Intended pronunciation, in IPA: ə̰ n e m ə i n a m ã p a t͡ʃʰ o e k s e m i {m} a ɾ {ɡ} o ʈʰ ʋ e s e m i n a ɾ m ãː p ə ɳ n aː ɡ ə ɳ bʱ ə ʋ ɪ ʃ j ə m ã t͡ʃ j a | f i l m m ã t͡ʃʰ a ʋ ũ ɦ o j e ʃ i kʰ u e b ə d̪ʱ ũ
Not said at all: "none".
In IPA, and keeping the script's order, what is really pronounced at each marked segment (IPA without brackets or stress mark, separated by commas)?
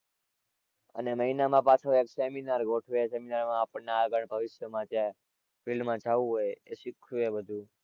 n, ɡ